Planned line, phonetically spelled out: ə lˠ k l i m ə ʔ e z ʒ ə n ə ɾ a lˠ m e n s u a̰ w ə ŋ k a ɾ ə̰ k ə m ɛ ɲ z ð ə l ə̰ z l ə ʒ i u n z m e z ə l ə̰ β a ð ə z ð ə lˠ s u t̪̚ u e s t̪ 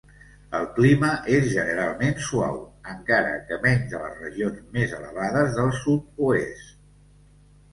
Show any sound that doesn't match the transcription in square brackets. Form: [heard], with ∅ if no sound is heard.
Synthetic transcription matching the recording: ə lˠ k l i m ə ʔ e z ʒ ə n ə ɾ a lˠ m e n s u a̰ w ə ŋ k a ɾ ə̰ k ə m ɛ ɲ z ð ə l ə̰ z [r] ə ʒ i [o] n z m e z ə l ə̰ β a ð ə z ð ə lˠ s u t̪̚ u e s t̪

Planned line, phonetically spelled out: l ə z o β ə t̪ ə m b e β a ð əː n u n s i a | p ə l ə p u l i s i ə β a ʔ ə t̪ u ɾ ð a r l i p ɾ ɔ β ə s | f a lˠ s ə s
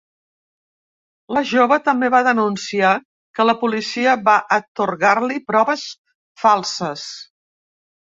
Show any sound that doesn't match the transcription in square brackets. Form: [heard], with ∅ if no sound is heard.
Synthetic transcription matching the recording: l ə [ʒ] o β ə t̪ ə m b e β a ð [ə] n u n s i a | [k] ə l ə p u l i s i ə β a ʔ ə t̪ u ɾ [ɣ] a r l i p ɾ ɔ β ə s | f a lˠ s ə s

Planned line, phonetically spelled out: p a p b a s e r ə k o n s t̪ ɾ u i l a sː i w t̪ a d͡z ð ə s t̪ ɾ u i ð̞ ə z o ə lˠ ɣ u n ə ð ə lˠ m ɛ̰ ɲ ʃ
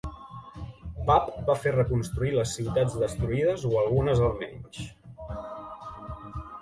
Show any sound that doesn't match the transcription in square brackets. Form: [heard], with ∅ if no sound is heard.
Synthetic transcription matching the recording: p a p b a [f] e r ə k [u] n s t̪ ɾ u i l [ə] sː i w t̪ a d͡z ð ə s t̪ ɾ u i ð̞ ə z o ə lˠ ɣ u n ə [z] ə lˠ m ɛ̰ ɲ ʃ

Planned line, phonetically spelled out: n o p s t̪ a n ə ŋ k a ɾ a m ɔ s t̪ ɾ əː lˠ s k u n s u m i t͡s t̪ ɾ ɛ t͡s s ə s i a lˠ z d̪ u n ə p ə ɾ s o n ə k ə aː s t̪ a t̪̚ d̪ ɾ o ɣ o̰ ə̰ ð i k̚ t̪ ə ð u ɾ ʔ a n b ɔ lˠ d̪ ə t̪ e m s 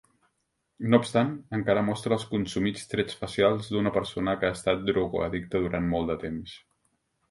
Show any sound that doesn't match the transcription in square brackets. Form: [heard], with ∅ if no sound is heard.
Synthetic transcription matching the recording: n o p s t̪ a n ə ŋ k a ɾ [ə] m ɔ s t̪ ɾ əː lˠ s k u n s u m i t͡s t̪ ɾ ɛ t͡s [f] ə s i a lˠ z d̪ u n ə p ə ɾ s o n ə k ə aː s t̪ a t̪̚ d̪ ɾ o ɣ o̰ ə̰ ð i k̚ t̪ ə ð u ɾ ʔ a n [m] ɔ lˠ d̪ ə t̪ e m s

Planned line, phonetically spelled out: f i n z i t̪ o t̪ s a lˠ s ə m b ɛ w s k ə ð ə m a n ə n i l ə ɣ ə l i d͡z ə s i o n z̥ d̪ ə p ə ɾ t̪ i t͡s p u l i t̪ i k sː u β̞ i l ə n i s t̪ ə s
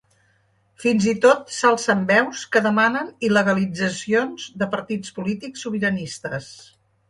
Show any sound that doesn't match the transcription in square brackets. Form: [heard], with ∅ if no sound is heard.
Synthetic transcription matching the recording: f i n z i t̪ o t̪ s a lˠ s ə m b ɛ w s k ə ð ə m a n ə n i l ə ɣ ə l i d͡z ə s i o n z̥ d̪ ə p ə ɾ t̪ i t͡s p u l i t̪ i k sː u β̞ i [ɾ] ə n i s t̪ ə s

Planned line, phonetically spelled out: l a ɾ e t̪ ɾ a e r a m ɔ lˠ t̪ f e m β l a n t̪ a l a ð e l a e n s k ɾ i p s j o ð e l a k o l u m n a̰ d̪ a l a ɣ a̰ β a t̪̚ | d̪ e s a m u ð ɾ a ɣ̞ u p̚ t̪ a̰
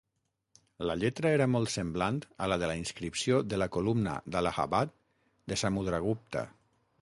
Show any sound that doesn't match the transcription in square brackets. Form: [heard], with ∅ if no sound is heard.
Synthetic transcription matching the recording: l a [ʎ] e t̪ ɾ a e [ɾ] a m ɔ lˠ t̪ [s] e m [b] l a n t̪ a l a ð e l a [i] n s k ɾ i p s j o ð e l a k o l u m n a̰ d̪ a l a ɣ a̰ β a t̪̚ | d̪ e s a m u ð ɾ a ɣ̞ u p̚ t̪ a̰

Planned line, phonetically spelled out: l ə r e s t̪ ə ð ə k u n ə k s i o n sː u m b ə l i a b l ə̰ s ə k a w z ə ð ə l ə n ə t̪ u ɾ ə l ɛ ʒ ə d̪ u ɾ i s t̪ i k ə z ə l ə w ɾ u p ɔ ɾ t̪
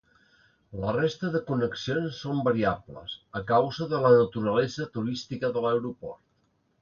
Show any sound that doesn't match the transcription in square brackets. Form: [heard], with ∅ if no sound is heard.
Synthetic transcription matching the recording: l ə r e s t̪ ə ð ə k u n ə k s i o n sː [o] m b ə [ɾ] i a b l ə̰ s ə k a w z ə ð ə l ə n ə t̪ u ɾ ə l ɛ [z] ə [t̪] u ɾ i s t̪ i k ə [ð] ə l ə w ɾ u p ɔ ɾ t̪

